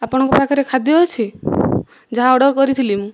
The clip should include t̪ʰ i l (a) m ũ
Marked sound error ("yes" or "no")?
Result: yes